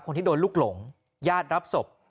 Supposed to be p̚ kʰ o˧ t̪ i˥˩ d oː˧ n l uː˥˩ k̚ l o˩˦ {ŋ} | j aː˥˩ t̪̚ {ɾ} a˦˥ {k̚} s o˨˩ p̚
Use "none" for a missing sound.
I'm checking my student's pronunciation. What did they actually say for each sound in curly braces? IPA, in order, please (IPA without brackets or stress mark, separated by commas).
ŋ, ɾ, p̚